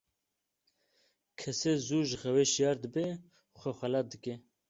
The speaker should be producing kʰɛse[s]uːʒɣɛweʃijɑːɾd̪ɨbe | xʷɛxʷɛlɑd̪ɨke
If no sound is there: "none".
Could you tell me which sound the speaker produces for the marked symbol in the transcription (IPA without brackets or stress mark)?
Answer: z